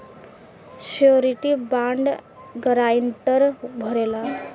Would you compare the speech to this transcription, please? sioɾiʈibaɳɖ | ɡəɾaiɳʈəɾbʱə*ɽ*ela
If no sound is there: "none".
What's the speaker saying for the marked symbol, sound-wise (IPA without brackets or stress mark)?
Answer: ɾ